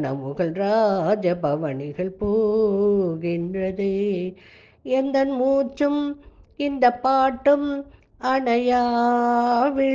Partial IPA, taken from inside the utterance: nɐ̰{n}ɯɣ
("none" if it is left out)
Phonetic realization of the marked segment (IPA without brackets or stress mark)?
m